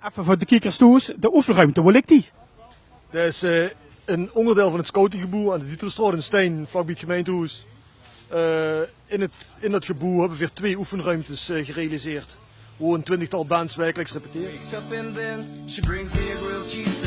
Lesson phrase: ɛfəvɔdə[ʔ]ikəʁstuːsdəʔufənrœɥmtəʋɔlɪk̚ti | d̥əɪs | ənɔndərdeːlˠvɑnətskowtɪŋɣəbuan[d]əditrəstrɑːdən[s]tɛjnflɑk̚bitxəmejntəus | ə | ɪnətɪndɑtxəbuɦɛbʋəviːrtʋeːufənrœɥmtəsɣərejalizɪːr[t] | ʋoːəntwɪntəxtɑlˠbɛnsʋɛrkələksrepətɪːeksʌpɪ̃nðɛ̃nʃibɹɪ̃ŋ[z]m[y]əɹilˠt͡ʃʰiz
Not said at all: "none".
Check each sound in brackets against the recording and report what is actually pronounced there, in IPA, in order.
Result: k, d, s, t, z, i

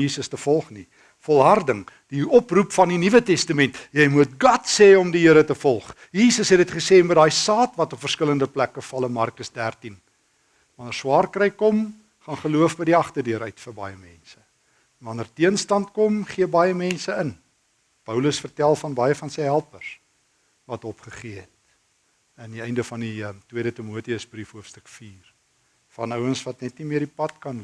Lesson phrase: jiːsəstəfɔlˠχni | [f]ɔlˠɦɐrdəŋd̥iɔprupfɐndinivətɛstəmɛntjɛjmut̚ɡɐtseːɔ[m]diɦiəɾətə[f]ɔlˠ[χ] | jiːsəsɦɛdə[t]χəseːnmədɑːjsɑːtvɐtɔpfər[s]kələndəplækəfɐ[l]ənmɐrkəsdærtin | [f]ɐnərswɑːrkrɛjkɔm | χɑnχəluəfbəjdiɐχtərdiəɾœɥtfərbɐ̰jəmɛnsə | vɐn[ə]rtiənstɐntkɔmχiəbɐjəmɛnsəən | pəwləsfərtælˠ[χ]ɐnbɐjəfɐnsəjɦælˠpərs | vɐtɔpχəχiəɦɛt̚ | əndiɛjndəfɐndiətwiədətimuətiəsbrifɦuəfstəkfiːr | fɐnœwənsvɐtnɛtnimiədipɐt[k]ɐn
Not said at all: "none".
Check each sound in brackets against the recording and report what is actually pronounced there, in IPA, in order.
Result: f, m, f, χ, t, s, l, v, ə, f, k

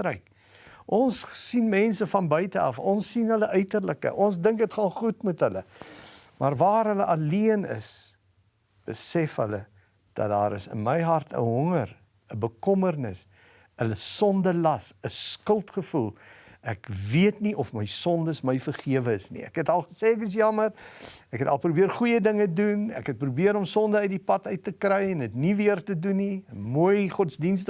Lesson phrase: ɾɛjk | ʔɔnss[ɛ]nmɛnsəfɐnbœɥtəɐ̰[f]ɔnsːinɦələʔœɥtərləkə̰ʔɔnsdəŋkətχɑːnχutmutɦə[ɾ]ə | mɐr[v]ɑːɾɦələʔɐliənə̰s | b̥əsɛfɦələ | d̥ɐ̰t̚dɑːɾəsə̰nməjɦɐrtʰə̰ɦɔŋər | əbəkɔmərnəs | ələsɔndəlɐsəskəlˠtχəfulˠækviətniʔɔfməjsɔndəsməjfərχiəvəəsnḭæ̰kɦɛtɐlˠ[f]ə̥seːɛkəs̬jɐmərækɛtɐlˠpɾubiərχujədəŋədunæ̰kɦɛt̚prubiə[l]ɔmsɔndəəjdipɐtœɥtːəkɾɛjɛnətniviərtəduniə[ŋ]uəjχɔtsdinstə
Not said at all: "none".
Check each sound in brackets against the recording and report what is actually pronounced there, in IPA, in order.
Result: i, f, l, v, χ, ɾ, m

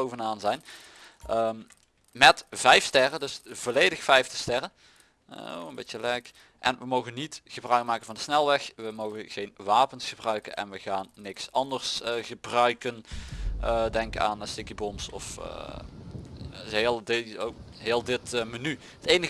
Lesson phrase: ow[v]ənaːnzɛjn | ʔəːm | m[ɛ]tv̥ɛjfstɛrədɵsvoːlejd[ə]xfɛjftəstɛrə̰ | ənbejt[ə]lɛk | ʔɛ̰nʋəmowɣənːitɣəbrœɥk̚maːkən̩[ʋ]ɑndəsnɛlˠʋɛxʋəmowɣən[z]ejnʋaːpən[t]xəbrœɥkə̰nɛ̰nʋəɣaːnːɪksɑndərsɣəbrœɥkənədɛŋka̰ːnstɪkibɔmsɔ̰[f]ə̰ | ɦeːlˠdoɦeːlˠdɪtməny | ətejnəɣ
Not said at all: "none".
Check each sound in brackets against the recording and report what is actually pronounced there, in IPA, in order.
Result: v, ɛ, ə, ə, v, ɣ, s, f

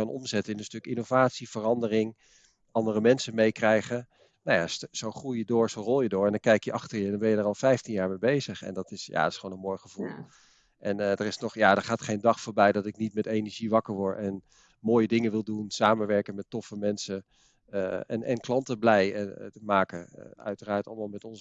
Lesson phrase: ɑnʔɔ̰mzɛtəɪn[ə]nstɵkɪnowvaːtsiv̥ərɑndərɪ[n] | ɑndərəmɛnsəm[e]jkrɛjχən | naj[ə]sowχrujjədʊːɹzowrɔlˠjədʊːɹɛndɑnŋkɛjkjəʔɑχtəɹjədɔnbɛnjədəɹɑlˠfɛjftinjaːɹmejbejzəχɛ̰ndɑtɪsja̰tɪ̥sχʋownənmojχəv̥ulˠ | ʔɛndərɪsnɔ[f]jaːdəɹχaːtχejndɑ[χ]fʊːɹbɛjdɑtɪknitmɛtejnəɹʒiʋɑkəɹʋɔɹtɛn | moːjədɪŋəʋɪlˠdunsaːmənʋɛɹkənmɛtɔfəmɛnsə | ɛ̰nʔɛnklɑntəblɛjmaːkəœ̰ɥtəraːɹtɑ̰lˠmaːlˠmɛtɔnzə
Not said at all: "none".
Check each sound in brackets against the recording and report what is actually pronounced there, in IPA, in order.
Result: ə, ŋ, e, a, χ, χ

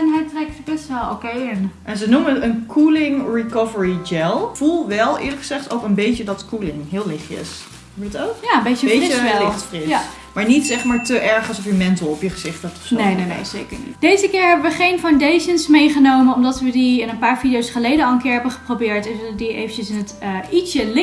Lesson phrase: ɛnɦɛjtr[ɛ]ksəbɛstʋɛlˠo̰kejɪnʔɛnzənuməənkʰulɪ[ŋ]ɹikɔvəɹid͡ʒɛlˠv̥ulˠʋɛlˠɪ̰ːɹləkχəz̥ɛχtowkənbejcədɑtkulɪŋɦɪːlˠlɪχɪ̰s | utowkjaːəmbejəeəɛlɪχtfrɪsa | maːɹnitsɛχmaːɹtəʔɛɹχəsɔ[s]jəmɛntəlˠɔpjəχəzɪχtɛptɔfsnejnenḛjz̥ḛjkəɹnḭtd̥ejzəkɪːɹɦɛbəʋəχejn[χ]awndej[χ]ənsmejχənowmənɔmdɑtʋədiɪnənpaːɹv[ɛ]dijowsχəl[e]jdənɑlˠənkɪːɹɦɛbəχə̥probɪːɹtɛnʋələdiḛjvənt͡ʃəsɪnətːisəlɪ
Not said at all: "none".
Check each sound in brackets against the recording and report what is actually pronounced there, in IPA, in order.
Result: ɛ, ŋ, f, f, ʃ, i, e

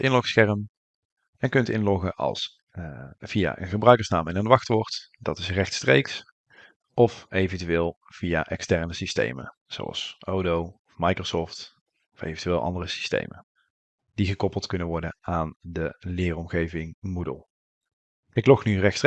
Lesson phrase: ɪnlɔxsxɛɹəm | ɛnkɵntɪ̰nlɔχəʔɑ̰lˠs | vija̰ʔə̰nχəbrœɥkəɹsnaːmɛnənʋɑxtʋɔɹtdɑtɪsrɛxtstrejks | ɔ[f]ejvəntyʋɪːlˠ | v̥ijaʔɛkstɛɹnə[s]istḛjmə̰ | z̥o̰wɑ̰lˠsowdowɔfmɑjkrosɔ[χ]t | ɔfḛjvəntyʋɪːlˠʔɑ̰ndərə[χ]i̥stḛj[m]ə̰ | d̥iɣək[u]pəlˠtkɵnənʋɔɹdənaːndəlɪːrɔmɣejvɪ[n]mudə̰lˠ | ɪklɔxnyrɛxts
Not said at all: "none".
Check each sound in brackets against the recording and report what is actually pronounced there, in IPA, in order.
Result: f, s, f, s, m, ɔ, ŋ

